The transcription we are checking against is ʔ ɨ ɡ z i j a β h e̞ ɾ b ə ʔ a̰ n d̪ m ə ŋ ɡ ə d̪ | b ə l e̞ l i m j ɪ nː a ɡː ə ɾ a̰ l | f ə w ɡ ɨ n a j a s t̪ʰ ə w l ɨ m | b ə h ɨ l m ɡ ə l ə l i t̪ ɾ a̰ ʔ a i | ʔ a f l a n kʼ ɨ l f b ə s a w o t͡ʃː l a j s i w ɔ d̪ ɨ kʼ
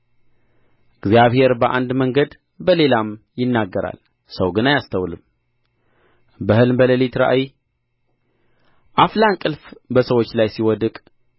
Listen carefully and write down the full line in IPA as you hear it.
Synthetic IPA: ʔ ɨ ɡ z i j a β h e̞ ɾ b ə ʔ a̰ n d̪ m ə ŋ ɡ ə d̪ | b ə l e̞ l a m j ɪ nː a ɡː ə ɾ a̰ l | s ə w ɡ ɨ n a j a s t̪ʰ ə w l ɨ m | b ə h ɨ l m b ə l ə l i t̪ ɾ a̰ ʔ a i | ʔ a f l a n kʼ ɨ l f b ə s ə w o t͡ʃː l a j s i w ɔ d̪ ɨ kʼ